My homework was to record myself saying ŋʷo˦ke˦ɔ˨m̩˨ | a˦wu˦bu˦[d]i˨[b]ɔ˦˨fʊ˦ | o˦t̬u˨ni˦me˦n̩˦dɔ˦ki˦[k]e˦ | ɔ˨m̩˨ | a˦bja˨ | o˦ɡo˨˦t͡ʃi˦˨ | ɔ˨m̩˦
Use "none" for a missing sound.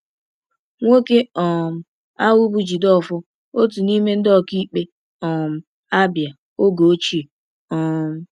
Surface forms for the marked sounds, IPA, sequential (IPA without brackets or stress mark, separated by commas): d͡ʒ, d, k͡p